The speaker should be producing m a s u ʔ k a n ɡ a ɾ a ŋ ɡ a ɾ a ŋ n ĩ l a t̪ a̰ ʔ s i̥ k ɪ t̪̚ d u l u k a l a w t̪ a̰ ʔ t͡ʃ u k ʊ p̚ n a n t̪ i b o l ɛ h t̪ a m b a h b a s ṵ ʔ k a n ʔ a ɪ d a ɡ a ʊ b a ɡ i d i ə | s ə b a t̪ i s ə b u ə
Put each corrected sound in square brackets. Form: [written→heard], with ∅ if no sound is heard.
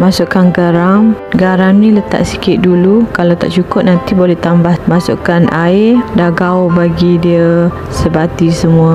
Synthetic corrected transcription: m a s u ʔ k a n ɡ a ɾ a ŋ ɡ a ɾ a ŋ n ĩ l [a→ə] t̪ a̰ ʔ s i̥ k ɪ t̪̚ d u l u k a l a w t̪ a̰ ʔ t͡ʃ u k ʊ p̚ n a n t̪ i b o l ɛ h t̪ a m b a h [b→m] a s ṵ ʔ k a n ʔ a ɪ d a ɡ a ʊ b a ɡ i d i ə | s ə b a t̪ i s ə [b→m] u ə